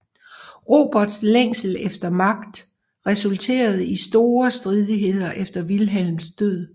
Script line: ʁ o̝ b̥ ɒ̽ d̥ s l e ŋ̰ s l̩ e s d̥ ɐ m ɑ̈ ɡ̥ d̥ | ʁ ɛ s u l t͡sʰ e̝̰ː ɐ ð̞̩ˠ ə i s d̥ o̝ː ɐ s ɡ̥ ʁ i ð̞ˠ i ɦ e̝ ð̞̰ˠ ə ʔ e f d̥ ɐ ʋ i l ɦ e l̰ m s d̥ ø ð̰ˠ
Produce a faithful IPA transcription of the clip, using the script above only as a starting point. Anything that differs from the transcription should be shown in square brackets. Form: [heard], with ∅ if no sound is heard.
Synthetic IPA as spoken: ʁ o̝ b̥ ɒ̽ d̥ s l e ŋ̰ s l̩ e [f] d̥ ɐ m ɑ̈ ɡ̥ d̥ | ʁ ɛ s u l t͡sʰ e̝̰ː ɐ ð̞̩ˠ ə i s d̥ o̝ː ɐ s [d̥] ʁ i ð̞ˠ i ɦ e̝ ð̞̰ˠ [ɐ] ʔ e f d̥ ɐ ʋ i l ɦ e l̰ m s d̥ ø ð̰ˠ